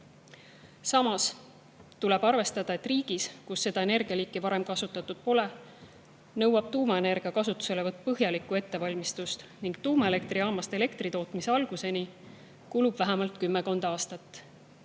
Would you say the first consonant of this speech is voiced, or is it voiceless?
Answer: voiceless